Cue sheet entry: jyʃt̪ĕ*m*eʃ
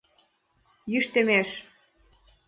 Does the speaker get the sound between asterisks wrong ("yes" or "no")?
no